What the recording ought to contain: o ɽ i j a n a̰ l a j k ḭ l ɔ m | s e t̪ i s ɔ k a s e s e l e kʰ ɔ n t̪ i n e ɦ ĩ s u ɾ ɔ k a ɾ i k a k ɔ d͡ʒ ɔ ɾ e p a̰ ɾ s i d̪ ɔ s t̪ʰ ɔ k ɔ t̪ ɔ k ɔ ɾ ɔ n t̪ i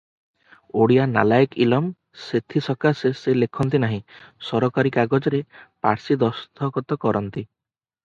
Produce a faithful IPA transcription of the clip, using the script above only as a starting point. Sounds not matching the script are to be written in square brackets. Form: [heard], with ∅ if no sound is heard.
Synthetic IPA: o ɽ i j a n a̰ l a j k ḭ l ɔ m | s e [t̪ʰ] i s ɔ k a s e s e l e kʰ ɔ n t̪ i n [a] ɦ ĩ s [ɔ] ɾ ɔ k a ɾ i k a [ɡ] ɔ d͡ʒ ɔ ɾ e p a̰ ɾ s i d̪ ɔ s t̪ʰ ɔ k ɔ t̪ ɔ k ɔ ɾ ɔ n t̪ i